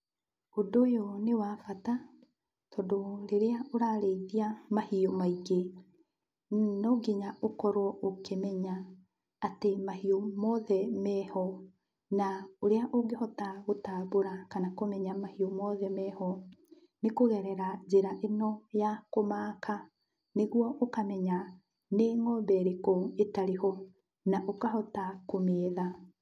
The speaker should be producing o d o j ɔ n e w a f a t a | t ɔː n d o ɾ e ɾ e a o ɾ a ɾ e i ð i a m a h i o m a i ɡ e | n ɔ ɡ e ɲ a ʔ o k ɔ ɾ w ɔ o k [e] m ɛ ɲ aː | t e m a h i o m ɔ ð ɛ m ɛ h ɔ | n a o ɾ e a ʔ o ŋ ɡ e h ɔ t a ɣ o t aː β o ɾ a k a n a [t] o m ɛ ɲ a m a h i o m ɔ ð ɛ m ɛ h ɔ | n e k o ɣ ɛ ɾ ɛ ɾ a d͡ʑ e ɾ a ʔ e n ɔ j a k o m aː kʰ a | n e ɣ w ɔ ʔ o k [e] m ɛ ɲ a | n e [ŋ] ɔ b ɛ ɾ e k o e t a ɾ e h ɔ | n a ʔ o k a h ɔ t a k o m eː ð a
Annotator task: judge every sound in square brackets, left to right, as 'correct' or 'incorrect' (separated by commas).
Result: correct, incorrect, incorrect, correct